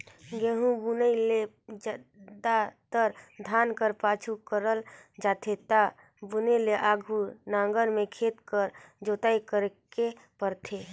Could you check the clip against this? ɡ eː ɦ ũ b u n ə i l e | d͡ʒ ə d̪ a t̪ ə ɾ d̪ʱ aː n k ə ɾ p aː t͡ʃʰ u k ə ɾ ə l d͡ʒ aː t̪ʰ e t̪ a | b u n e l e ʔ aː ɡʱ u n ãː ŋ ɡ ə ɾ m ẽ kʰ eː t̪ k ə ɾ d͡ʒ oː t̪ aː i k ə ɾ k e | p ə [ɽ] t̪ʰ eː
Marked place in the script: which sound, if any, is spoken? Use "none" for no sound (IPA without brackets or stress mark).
ɾ